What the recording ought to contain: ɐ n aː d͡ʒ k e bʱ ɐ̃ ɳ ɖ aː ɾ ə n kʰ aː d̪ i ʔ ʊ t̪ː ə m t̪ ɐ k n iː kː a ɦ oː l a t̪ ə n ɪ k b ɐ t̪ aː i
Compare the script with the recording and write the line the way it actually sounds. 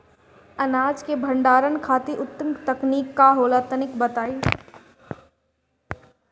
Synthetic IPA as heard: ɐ n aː d͡ʒ k e bʱ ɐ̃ ɳ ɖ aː ɾ ə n kʰ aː t̪ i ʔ ʊ t̪ː ə m t̪ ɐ k n iː kː a ɦ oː l a t̪ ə n ɪ k b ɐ t̪ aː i